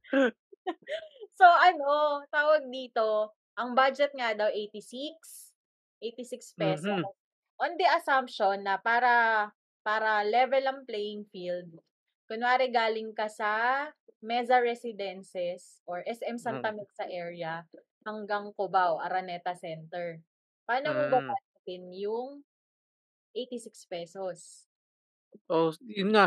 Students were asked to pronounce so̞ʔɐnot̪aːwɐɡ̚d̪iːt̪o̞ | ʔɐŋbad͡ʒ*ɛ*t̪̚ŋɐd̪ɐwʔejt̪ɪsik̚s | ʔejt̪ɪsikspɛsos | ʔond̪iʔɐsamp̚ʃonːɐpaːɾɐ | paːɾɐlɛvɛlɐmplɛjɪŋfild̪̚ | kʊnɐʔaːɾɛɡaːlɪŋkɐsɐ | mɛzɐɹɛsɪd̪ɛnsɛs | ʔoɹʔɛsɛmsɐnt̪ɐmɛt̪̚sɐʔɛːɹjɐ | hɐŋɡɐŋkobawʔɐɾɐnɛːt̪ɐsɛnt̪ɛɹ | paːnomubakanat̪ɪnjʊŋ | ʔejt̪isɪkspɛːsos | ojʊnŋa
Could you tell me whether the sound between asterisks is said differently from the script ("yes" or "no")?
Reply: no